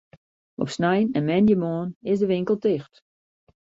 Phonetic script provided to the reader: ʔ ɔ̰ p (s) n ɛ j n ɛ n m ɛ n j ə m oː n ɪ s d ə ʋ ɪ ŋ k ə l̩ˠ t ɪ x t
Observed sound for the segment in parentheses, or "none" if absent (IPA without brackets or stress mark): s